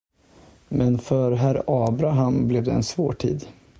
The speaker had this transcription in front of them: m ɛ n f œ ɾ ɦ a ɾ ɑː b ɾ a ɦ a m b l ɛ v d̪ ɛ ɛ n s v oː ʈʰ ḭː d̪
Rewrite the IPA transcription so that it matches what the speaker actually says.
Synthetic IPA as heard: m ɛ n f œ ɾ ɦ æ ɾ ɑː b ɾ a ɦ a m b l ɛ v d̪ ɛ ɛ n s v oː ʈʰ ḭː d̪